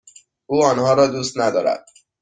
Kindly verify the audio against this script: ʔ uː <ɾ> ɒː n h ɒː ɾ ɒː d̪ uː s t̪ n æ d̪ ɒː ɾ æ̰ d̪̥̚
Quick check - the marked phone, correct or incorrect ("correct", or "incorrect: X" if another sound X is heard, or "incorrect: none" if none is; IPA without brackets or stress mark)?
incorrect: none